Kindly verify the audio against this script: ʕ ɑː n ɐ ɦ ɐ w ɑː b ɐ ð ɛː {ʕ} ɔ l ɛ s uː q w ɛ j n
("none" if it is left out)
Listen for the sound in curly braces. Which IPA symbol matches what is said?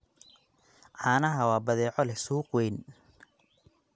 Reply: ʕ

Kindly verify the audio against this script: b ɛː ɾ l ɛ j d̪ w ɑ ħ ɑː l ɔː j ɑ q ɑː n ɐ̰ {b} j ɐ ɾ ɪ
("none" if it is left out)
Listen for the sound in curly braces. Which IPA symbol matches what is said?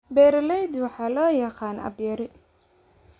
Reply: b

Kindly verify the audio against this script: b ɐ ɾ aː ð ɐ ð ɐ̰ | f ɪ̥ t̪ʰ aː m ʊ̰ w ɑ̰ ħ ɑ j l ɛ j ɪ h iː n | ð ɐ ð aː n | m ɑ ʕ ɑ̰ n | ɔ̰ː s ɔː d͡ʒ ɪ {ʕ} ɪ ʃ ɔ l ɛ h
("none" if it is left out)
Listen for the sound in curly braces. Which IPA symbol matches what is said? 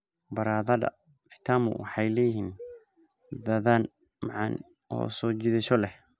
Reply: ð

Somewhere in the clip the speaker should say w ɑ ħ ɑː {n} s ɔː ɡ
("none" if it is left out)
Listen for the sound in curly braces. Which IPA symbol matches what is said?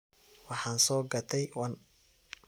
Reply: n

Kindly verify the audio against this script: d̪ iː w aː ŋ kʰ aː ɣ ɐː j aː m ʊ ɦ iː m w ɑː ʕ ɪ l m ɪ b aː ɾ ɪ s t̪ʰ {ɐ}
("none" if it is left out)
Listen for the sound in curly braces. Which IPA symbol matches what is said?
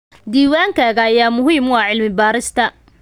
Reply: ɐ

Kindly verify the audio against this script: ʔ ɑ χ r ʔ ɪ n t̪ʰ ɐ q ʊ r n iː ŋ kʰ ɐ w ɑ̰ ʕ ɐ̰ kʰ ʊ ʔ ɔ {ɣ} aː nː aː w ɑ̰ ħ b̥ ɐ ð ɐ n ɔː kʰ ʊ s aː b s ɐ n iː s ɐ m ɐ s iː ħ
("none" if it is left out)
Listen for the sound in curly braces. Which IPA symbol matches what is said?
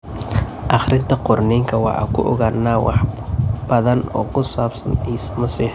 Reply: ɣ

